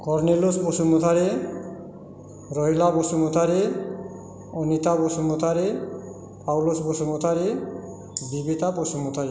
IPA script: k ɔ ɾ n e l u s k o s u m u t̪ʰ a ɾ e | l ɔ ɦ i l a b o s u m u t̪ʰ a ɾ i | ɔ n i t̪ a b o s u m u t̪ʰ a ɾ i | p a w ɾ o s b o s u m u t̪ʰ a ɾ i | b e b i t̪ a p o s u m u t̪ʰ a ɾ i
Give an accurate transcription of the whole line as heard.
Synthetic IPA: k ɔ ɾ n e l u s p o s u m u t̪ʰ a ɾ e | ɾ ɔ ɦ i l a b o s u m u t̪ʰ a ɾ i | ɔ n i t̪ a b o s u m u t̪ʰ a ɾ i | p a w l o s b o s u m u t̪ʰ a ɾ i | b i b i t̪ a p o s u m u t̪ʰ a ɾ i